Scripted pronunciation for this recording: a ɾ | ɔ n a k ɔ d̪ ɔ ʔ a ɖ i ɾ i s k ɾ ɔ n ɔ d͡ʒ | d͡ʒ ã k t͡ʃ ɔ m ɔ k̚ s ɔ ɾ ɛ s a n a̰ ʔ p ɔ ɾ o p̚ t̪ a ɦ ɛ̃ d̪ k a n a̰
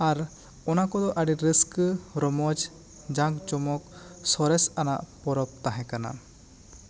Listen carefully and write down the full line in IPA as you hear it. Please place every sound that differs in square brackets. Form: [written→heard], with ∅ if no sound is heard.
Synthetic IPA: a ɾ | ɔ n a k ɔ d̪ ɔ ʔ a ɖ i ɾ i s k ɾ ɔ [n→m] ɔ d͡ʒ | d͡ʒ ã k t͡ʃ ɔ m ɔ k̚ s ɔ ɾ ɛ s a n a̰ ʔ p ɔ ɾ [o→ɔ] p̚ t̪ a ɦ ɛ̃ [d̪→∅] k a n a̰